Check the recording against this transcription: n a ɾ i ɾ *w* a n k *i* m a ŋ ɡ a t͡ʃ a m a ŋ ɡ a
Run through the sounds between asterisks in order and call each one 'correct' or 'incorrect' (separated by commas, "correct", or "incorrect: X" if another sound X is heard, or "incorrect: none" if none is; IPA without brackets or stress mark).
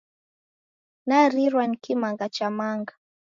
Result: correct, correct